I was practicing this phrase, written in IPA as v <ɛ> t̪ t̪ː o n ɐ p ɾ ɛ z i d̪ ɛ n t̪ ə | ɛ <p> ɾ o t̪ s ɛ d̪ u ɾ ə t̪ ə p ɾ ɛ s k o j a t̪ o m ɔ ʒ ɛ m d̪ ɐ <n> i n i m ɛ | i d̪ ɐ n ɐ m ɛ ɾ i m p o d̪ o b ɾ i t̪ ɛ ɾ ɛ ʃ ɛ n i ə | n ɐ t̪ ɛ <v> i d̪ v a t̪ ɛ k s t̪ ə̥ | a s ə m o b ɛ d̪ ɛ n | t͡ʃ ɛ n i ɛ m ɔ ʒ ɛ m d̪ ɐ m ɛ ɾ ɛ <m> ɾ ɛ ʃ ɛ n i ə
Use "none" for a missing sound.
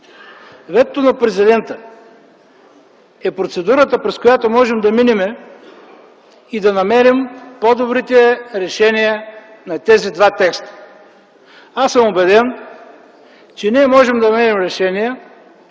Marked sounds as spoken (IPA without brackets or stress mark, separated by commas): ɛ, p, m, z, m